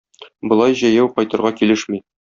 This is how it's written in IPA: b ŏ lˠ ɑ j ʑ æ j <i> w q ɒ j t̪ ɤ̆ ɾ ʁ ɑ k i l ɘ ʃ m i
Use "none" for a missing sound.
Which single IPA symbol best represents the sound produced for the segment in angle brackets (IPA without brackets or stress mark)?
æ